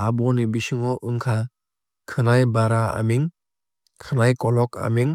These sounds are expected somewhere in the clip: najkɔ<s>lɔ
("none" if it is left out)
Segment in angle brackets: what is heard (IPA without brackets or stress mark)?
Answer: none